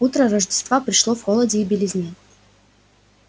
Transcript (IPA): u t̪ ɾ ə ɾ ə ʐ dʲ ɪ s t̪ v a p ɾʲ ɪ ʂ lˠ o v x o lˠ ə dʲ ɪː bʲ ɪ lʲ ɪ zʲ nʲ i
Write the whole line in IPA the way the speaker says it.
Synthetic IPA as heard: u t̪ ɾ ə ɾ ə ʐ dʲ ɪ s t̪ v a p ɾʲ ɪ ʂ lˠ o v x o lˠ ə dʲ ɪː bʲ ɪ lʲ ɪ zʲ nʲ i